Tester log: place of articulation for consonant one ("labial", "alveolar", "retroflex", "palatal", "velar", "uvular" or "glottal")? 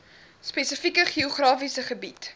alveolar